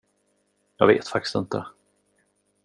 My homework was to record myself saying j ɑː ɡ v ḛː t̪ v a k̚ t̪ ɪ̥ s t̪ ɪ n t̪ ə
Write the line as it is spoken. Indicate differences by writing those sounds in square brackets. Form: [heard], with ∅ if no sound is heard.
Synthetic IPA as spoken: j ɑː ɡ v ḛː t̪ [f] a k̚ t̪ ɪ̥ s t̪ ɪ n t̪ ə